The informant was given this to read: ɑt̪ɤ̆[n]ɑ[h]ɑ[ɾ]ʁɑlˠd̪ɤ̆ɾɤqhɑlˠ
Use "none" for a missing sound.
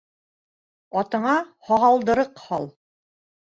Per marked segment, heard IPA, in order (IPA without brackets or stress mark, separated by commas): ɴ, h, none